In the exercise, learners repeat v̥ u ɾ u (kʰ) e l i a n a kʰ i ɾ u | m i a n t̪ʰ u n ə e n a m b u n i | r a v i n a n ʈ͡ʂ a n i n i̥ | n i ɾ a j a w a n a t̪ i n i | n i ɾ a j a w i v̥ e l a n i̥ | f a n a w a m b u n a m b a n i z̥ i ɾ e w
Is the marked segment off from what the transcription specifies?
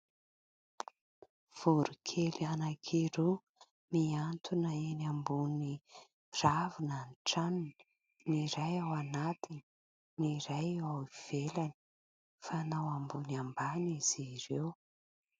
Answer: no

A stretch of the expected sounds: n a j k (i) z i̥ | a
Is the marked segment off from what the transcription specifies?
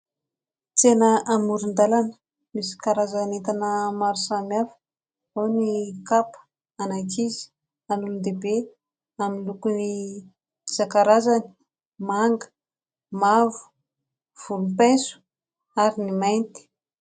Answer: no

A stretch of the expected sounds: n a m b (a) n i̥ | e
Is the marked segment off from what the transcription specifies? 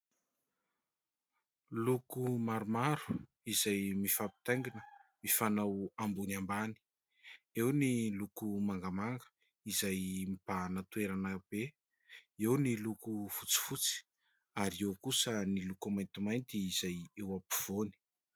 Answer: no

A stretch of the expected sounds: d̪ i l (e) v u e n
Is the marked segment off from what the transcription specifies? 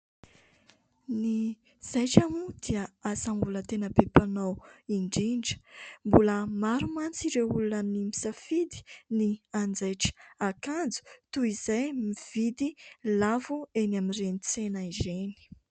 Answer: yes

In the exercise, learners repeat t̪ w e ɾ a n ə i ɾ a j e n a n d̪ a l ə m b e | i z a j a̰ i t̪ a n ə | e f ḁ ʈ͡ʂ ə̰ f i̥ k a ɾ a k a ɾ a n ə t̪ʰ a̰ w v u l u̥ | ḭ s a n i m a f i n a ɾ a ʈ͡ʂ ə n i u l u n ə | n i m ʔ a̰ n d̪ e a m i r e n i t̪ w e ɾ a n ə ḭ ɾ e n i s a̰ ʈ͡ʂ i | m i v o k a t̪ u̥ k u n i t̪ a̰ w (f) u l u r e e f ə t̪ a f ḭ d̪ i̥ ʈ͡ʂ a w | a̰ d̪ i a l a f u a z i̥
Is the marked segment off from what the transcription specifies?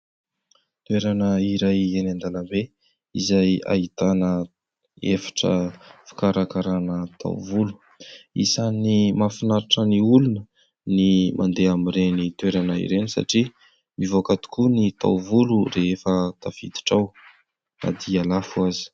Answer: yes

